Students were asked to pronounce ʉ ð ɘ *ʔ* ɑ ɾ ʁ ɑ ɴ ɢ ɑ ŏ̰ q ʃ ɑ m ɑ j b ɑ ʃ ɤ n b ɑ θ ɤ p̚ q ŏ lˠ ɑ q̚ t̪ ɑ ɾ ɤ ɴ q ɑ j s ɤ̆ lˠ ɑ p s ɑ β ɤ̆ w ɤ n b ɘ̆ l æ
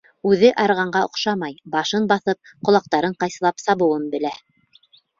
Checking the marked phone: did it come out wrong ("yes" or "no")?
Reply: no